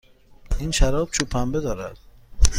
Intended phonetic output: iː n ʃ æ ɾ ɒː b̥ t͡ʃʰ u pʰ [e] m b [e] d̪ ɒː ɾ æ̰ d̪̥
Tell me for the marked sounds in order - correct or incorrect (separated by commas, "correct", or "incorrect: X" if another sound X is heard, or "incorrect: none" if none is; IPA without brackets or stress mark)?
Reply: incorrect: æ, correct